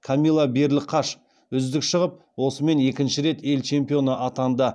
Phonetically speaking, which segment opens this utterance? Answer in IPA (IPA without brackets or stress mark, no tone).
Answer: kʰ